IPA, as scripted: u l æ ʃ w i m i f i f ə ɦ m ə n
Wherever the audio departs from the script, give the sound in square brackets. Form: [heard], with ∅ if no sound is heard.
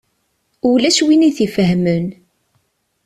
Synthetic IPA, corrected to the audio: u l æ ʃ w i [n] i [θ] i f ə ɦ m ə n